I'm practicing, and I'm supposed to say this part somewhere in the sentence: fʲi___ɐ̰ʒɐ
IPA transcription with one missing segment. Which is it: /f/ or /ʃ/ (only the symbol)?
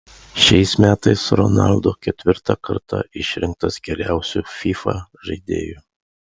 f